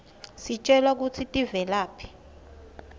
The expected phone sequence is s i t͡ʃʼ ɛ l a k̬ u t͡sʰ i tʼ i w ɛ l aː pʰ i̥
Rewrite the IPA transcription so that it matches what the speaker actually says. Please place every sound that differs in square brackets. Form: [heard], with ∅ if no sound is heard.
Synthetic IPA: s i t͡ʃʼ ɛ l a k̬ u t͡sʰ i tʼ i [v] ɛ l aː pʰ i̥